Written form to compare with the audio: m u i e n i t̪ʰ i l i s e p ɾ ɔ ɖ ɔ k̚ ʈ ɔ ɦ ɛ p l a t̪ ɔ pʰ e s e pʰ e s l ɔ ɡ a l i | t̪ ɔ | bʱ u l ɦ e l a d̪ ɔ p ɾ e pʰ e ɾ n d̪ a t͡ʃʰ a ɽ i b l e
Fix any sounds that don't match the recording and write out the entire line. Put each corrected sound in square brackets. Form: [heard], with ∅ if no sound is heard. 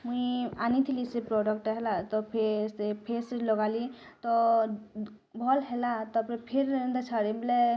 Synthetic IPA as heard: m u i [a] n i t̪ʰ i l i s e p ɾ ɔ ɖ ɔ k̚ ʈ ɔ ɦ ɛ [∅] l a t̪ ɔ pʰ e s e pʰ e s l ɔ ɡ a l i | t̪ ɔ | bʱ [ɔ] l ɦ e l a [t̪] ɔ p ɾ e pʰ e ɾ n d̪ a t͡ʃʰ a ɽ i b l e